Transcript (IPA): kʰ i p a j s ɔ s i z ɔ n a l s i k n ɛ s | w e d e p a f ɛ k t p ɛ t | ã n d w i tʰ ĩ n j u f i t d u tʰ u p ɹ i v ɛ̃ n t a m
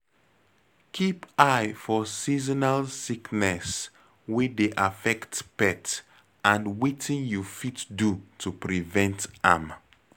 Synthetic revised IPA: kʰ i p a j f ɔ s i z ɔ n a l s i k n ɛ s | w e d e ʔ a f ɛ k t p ɛ t | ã n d w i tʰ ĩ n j u f i t d u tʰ u p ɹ i v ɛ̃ n t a m

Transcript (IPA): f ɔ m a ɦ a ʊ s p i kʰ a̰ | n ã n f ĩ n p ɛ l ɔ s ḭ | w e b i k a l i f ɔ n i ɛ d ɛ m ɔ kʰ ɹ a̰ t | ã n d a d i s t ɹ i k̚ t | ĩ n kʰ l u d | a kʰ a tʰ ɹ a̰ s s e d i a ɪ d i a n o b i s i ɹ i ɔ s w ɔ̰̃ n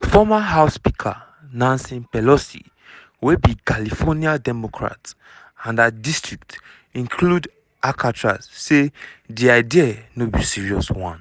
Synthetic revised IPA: f ɔ m a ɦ a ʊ s p i kʰ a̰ | n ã n s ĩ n p ɛ l ɔ s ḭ | w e b i k a l i f ɔ n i a d ɛ m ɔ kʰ ɹ a̰ t | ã n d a d i s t ɹ i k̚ t | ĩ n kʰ l u d | a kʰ a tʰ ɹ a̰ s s e d i a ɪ d i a n o b i s i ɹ i ɔ s w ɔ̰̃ n

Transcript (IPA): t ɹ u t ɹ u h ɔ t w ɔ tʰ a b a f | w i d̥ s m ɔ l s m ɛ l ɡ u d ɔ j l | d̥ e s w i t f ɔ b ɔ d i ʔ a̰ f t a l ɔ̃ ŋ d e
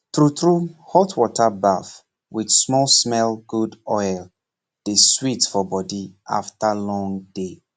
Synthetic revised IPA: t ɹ u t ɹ u h ɔ t w ɔ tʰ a b a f | w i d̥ s m ɔ l s m ɛ l ɡ u d ɔ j l | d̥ e s w i t f ɔ b ɔ d i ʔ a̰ f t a l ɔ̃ ŋ d e

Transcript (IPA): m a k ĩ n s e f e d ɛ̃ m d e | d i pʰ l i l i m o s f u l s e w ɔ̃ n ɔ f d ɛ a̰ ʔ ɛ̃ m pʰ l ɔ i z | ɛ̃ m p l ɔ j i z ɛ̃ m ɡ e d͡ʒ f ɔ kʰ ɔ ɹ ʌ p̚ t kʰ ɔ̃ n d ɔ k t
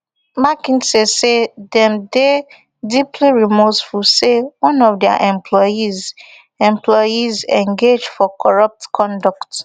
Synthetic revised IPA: m a k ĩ n s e s e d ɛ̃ m d e | d i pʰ l i ɹ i m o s f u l s e w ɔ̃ n ɔ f d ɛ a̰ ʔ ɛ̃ m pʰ l ɔ i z | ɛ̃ m p l ɔ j i z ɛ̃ ŋ ɡ e d͡ʒ f ɔ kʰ ɔ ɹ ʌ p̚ t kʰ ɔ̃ n d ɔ k t

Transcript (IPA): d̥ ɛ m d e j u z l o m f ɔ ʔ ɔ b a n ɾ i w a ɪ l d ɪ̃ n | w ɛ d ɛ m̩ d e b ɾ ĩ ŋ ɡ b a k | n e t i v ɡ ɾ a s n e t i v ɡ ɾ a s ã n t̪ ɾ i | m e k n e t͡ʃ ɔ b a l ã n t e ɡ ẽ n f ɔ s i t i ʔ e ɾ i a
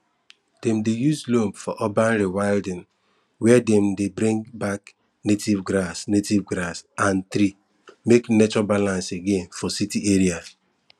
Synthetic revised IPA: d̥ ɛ m d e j u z l o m f ɔ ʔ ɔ b a n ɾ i w a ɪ l d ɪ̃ n | w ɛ d ɛ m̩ d e b ɾ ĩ ŋ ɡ b a k | n e t i v ɡ ɾ a s n e t i v ɡ ɾ a s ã n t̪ ɾ i | m e k n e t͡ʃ ɔ b a l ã n s e ɡ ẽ n f ɔ s i t i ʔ e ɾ i a

